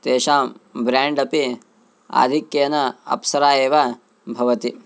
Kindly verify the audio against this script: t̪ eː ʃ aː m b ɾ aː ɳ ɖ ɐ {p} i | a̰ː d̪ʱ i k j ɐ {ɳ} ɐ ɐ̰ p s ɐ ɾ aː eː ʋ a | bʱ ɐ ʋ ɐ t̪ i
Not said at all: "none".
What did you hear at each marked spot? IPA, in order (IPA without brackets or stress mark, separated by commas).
p, n